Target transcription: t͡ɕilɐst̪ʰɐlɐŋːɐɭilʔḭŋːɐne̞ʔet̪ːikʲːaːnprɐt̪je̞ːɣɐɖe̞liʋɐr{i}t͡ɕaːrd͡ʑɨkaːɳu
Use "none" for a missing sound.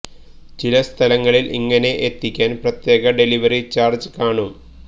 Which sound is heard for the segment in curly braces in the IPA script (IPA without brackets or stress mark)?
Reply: i